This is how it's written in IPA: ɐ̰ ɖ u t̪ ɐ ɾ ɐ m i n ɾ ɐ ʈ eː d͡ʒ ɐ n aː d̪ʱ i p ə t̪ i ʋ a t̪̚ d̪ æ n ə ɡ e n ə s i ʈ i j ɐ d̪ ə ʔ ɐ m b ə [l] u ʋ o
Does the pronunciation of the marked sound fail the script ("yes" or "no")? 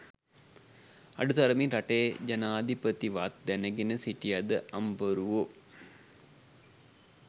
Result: yes